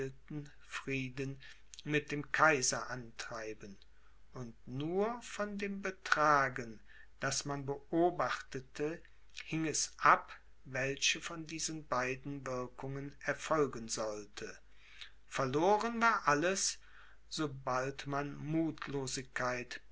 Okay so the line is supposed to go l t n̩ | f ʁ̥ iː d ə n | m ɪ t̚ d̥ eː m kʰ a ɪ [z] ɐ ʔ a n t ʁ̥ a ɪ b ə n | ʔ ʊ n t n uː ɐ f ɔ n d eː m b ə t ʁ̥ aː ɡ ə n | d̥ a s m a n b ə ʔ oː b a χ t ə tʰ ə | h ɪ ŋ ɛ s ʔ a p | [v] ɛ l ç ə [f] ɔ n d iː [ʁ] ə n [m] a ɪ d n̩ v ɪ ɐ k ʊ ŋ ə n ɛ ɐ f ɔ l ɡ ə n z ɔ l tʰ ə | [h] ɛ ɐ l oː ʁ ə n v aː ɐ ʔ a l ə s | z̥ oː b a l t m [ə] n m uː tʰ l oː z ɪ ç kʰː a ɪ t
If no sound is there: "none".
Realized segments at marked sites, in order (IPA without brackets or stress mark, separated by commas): z, v, f, z, b, f, a